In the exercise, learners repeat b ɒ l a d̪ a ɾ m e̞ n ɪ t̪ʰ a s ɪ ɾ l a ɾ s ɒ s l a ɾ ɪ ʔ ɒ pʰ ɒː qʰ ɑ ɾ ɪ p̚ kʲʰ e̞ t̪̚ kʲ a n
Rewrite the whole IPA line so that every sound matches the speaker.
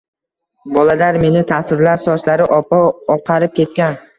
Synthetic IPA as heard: b ɒ l a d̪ a ɾ m e̞ n ɪ t̪ʰ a s ɪ ɾ l a ɾ s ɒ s l a ɾ ɪ ʔ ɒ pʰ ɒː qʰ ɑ ɾ ɪ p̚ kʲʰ e̞ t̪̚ kʲ a n